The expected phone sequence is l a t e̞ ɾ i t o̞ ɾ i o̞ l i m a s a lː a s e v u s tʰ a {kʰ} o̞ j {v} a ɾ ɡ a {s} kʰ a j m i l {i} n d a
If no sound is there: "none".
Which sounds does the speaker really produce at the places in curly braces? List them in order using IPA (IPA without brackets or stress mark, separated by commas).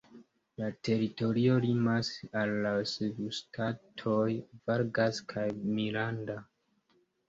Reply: tʰ, v, s, a